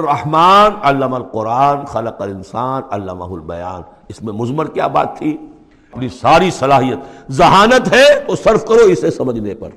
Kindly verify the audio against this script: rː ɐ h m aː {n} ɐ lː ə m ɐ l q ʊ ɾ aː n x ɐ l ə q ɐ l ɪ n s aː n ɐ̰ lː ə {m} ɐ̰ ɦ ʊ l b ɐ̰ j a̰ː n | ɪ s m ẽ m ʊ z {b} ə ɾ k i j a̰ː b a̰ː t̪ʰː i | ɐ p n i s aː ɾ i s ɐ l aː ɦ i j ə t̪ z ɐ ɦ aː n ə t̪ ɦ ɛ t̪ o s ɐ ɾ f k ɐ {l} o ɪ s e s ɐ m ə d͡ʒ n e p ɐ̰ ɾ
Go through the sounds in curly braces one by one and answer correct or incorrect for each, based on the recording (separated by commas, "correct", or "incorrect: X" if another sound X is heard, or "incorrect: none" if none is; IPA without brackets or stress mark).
correct, correct, incorrect: m, incorrect: ɾ